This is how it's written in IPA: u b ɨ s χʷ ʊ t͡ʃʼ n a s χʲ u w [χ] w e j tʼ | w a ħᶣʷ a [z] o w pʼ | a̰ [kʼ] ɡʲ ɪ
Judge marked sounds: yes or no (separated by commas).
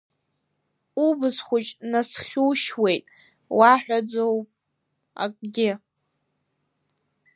no, no, yes